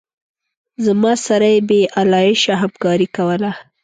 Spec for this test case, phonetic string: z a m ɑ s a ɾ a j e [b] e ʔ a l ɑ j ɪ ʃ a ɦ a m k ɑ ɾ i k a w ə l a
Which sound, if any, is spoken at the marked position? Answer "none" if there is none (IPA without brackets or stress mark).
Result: b